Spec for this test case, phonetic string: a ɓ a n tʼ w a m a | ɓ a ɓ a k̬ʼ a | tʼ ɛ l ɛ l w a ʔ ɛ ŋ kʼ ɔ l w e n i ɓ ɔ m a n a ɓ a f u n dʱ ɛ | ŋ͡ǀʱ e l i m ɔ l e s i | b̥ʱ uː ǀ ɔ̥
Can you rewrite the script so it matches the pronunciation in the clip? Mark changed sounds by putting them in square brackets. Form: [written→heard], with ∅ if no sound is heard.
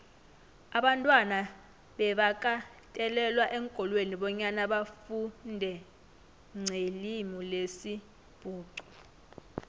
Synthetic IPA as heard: a ɓ a n tʼ w a [m→n] a | ɓ [a→ɛ] ɓ a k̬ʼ a | tʼ ɛ l ɛ l w a ʔ ɛ ŋ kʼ ɔ l w e n i ɓ ɔ [m→ɲ] a n a ɓ a f u n dʱ ɛ | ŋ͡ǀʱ e l i m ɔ l e s i | b̥ʱ uː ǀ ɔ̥